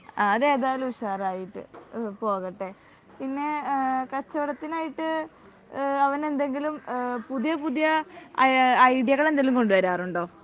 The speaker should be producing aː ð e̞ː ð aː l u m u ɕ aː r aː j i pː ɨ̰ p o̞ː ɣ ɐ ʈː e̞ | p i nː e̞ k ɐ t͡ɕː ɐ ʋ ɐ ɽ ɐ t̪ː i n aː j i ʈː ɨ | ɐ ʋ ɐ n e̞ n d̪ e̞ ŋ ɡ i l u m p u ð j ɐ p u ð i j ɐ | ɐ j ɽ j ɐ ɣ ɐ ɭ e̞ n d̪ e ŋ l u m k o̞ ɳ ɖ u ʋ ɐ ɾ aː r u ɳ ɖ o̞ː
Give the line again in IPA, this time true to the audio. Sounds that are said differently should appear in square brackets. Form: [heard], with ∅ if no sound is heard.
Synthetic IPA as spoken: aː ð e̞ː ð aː l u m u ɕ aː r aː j i [ʈː] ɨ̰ p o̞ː ɣ ɐ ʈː e̞ | p i nː e̞ k ɐ t͡ɕː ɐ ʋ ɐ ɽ ɐ t̪ː i n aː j i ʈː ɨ | ɐ ʋ ɐ n e̞ n d̪ e̞ ŋ ɡ i l u m p u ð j ɐ p u ð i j ɐ | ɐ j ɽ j ɐ ɣ ɐ ɭ e̞ n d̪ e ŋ l u m k o̞ ɳ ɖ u ʋ ɐ ɾ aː r u ɳ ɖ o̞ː